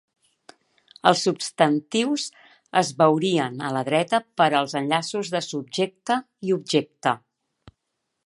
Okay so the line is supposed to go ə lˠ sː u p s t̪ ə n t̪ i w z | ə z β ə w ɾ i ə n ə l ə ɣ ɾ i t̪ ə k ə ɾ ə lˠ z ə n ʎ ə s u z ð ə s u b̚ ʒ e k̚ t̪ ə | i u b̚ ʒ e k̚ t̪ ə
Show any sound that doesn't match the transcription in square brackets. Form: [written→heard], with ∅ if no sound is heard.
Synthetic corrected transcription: ə lˠ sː u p s t̪ ə n t̪ i w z | ə z β ə w ɾ i ə n ə l ə [ɣ→ð] ɾ [i→ɛ] t̪ ə [k→p] ə ɾ ə lˠ z ə n ʎ [ə→a] s u z ð ə s u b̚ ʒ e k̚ t̪ ə | i u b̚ ʒ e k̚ t̪ ə